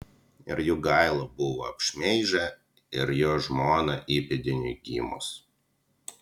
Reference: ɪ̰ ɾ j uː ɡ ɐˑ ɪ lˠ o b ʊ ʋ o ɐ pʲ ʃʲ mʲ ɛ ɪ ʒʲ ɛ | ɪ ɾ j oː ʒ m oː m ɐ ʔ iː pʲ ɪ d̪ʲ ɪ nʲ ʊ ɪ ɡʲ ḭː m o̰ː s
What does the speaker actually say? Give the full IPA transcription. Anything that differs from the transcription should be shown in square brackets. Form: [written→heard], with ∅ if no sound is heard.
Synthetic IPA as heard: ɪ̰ ɾ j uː ɡ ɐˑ ɪ lˠ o b ʊ ʋ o ɐ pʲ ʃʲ mʲ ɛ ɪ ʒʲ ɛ | ɪ ɾ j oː ʒ m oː [m→n] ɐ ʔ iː pʲ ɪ d̪ʲ ɪ nʲ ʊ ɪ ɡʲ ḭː m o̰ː s

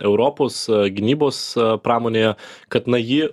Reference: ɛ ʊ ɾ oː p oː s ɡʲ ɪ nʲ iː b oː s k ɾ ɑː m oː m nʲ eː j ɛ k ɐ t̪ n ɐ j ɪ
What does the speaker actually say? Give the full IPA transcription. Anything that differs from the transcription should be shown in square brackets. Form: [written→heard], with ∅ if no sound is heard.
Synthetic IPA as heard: ɛ ʊ ɾ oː p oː s ɡʲ ɪ nʲ iː b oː s [k→p] ɾ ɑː m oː [m→∅] nʲ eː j ɛ k ɐ t̪ n ɐ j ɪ

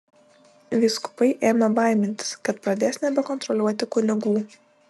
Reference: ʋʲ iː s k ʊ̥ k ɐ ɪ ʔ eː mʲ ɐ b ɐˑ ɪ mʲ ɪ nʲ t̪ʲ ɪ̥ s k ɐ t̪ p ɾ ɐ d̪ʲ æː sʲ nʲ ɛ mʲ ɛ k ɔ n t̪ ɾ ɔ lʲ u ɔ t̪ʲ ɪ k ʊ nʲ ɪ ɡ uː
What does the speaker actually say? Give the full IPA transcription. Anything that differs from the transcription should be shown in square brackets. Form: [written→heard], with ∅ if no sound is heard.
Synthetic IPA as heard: ʋʲ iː s k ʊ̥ [k→p] ɐ ɪ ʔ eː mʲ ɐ b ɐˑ ɪ mʲ ɪ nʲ t̪ʲ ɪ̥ s k ɐ t̪ p ɾ ɐ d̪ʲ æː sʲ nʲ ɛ [mʲ→bʲ] ɛ k ɔ n t̪ ɾ ɔ lʲ u ɔ t̪ʲ ɪ k ʊ nʲ ɪ ɡ uː

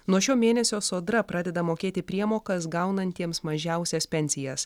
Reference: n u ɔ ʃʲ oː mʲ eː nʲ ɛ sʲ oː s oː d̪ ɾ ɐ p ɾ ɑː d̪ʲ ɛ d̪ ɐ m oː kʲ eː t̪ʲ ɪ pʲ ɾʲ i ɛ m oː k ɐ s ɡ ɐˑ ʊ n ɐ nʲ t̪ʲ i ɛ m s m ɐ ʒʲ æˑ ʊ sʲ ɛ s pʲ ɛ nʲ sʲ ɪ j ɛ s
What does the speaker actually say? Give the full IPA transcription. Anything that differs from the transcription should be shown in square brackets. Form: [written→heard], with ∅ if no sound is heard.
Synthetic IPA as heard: n u ɔ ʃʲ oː mʲ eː nʲ ɛ sʲ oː s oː d̪ ɾ ɐ p ɾ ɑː d̪ʲ ɛ d̪ ɐ m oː kʲ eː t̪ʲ ɪ pʲ ɾʲ i ɛ m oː k ɐ s ɡ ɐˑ ʊ n ɐ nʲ t̪ʲ i ɛ m s m ɐ ʒʲ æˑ ʊ sʲ ɛ s pʲ ɛ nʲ sʲ ɪ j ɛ s

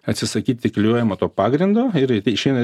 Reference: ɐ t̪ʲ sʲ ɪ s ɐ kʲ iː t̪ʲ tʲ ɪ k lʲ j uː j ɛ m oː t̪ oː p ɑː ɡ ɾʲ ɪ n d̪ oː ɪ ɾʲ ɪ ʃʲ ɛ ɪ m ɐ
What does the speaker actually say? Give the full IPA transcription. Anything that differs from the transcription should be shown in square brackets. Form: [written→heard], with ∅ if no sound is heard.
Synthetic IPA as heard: ɐ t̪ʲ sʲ ɪ s ɐ kʲ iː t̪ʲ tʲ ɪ k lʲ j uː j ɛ m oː t̪ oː p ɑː ɡ ɾʲ ɪ n d̪ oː ɪ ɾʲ ɪ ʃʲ ɛ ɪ [m→n] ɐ

